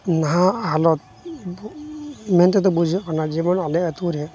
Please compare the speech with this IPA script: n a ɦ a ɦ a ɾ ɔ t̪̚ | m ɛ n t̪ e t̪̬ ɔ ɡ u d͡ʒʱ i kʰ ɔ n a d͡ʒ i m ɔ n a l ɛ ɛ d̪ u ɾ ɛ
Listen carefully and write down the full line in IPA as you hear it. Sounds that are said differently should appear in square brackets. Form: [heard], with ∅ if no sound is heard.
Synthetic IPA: n a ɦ a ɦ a [l] ɔ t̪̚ | m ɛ n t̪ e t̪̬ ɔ [b] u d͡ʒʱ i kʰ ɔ n a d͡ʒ i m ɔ n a l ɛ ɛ [t̪] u ɾ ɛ